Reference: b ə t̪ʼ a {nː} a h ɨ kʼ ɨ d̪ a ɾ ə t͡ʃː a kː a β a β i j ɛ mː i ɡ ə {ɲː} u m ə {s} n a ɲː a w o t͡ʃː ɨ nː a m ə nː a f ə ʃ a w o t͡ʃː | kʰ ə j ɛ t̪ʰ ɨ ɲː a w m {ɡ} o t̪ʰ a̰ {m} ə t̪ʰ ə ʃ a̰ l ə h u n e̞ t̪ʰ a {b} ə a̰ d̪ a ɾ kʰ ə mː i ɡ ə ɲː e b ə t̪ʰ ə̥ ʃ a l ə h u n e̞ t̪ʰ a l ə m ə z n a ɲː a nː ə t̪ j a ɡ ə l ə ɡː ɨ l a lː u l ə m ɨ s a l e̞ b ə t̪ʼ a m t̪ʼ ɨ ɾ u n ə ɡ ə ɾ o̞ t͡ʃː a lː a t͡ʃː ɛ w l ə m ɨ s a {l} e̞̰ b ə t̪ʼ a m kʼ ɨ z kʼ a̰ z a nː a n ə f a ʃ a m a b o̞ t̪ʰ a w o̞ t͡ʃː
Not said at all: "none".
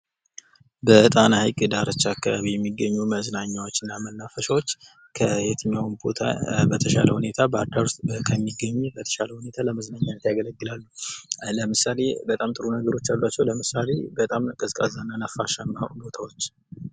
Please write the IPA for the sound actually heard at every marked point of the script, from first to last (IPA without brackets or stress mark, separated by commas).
n, ɲː, z, b, b, b, l